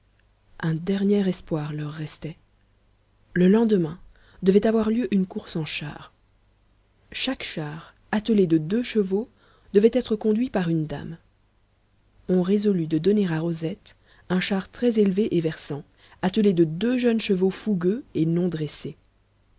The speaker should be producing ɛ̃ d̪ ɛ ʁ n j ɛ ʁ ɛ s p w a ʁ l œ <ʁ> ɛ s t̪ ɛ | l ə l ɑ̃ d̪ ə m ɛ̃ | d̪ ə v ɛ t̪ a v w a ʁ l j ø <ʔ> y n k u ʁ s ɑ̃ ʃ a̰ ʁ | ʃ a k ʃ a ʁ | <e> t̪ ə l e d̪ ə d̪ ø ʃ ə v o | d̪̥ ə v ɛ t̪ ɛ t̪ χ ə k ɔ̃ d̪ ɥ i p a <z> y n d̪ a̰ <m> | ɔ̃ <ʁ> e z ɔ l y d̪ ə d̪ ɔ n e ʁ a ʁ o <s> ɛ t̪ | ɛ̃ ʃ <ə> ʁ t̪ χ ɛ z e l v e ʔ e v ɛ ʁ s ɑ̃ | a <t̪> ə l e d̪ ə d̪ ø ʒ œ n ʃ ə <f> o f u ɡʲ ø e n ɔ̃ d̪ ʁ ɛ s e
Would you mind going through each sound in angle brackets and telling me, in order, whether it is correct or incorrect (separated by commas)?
incorrect, correct, incorrect, incorrect, correct, correct, incorrect, incorrect, correct, incorrect